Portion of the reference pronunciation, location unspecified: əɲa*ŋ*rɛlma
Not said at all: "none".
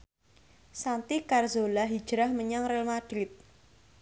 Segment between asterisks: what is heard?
ŋ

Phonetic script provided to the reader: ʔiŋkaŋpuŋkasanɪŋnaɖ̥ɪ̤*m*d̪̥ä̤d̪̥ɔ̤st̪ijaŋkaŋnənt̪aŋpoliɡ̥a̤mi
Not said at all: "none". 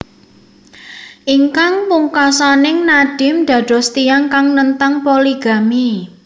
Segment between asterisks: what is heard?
m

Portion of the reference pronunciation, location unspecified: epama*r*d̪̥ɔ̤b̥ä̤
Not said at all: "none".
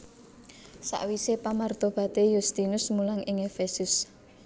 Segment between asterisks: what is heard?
r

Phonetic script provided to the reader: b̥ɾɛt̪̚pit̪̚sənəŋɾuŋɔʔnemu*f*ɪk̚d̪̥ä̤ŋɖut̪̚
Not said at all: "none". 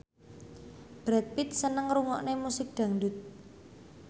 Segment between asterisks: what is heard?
s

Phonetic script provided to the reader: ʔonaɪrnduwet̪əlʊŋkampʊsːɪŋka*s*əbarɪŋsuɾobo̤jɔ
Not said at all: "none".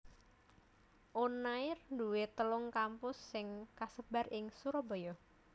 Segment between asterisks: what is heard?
s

